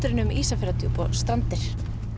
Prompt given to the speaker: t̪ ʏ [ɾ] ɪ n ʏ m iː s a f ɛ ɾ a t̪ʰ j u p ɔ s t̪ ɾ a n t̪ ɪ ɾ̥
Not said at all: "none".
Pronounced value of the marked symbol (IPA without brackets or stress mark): ɾ